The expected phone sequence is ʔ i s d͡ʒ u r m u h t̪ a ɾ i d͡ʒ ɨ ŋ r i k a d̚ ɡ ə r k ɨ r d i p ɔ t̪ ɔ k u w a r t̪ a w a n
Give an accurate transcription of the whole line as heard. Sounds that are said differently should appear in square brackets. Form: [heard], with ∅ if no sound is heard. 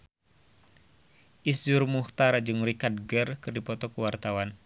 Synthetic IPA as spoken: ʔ i s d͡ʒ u r m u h t̪ a ɾ [a] d͡ʒ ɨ ŋ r i k a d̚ ɡ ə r k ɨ r d i p ɔ t̪ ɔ k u w a r t̪ a w a n